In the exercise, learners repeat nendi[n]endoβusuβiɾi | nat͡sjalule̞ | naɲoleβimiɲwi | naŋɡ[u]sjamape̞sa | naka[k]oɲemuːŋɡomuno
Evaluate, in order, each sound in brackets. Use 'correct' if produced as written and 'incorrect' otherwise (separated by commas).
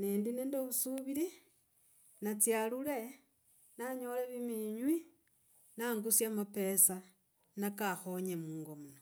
correct, correct, incorrect